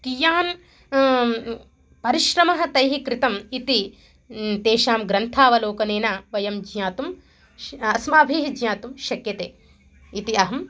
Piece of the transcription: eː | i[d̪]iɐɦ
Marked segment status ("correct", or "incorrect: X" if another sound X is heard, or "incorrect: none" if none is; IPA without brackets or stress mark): incorrect: t̪